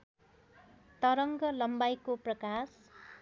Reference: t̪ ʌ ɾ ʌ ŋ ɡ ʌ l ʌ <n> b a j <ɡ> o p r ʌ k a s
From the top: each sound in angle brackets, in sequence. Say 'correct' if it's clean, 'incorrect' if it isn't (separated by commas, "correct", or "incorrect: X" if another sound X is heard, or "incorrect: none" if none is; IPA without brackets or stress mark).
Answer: incorrect: m, incorrect: k